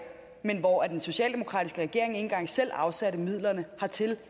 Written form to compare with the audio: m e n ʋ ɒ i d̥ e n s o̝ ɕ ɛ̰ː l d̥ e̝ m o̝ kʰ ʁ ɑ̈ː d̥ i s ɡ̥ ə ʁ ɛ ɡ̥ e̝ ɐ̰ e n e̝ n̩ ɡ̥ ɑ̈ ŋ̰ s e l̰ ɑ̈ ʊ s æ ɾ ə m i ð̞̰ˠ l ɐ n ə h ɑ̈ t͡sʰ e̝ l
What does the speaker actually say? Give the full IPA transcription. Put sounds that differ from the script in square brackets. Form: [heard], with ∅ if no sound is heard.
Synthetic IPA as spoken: m e n ʋ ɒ [æ] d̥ e n s o̝ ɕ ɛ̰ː l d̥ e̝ m o̝ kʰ ʁ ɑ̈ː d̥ i s ɡ̥ ə ʁ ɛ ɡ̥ e̝ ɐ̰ e [ŋ] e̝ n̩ ɡ̥ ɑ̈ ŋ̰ s e l̰ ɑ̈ ʊ s æ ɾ ə m i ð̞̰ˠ l ɐ n ə h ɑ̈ t͡sʰ e̝ l